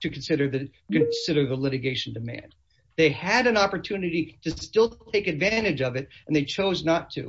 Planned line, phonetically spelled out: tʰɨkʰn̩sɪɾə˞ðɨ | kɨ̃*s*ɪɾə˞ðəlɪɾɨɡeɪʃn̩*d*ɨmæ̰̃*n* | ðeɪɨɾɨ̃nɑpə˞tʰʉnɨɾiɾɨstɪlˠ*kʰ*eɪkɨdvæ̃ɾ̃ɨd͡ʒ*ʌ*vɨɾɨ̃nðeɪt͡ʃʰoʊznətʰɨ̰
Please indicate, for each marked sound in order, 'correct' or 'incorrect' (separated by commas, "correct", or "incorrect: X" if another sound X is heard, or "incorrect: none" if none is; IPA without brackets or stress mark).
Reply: correct, correct, correct, incorrect: tʰ, correct